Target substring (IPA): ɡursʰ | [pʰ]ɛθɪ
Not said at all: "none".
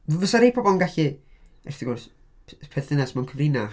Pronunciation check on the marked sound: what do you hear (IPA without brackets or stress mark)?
pʰ